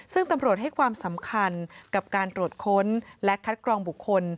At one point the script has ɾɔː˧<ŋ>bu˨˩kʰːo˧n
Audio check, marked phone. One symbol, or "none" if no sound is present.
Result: ŋ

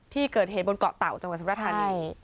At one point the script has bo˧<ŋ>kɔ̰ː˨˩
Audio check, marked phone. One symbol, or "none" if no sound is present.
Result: n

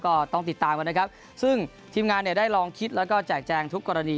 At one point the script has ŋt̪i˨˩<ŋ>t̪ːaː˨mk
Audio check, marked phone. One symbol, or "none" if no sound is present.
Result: none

